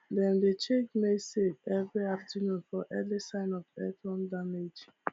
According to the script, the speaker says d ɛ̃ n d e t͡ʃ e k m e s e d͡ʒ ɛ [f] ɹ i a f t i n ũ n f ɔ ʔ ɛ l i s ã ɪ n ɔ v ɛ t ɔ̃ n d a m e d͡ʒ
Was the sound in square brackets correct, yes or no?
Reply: no